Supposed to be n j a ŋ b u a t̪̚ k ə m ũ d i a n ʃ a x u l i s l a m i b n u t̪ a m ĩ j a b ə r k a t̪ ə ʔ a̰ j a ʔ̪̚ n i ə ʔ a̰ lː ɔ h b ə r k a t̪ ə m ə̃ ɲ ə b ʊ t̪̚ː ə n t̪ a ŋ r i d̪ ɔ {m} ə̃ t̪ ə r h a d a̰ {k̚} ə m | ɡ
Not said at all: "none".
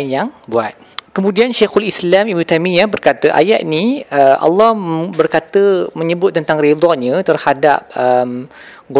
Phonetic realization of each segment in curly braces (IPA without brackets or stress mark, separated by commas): ɲ, p̚